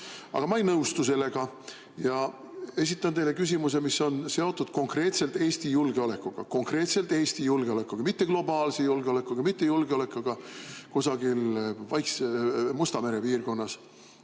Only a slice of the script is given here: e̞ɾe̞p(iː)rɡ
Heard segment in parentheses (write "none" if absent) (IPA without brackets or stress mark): iː